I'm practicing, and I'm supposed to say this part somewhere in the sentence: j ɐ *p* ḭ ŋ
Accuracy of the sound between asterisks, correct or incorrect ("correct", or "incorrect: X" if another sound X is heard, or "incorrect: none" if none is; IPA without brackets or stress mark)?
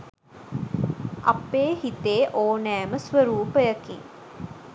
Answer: incorrect: k